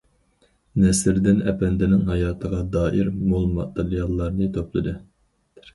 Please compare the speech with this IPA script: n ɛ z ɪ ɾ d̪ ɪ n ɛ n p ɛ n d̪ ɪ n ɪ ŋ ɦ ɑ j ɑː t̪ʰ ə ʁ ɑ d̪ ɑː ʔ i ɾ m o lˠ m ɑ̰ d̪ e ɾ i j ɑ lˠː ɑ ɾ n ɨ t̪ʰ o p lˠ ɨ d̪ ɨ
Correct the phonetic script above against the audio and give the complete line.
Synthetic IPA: n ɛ s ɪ ɾ d̪ ɪ n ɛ p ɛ n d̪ ɪ n ɪ ŋ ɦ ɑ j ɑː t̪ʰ ə ʁ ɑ d̪ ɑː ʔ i ɾ m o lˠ m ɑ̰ t̪ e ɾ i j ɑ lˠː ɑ ɾ n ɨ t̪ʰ o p lˠ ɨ d̪ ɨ